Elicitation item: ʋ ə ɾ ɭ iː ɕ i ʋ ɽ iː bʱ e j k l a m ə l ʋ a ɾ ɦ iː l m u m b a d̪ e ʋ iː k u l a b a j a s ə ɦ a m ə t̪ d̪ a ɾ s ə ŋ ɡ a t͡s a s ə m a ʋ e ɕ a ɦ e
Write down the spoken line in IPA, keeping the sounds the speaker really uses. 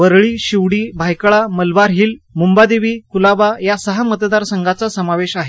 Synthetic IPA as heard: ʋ ə ɾ ɭ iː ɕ i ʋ ɽ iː bʱ a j k ɭ a m ə l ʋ a ɾ ɦ iː l m u m b a d̪ e ʋ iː k u l a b a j a s ə ɦ a m ə t̪ d̪ a ɾ s ə ŋ ɡ a t͡s a s ə m a ʋ e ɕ a ɦ e